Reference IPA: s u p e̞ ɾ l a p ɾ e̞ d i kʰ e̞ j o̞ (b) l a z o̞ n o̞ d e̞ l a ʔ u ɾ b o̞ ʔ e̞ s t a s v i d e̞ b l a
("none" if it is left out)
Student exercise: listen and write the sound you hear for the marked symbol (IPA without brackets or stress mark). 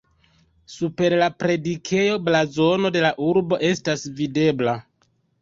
b